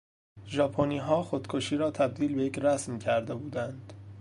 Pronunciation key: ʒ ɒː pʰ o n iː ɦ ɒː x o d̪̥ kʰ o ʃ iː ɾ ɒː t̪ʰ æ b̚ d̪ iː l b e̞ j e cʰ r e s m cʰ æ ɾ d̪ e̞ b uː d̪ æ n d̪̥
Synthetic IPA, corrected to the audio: ʒ ɒː pʰ o n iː ɦ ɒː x o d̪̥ kʰ o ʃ iː ɾ ɒː t̪ʰ æ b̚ d̪ iː l b e̞ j e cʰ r æ s m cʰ æ ɾ d̪ e̞ b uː d̪ æ n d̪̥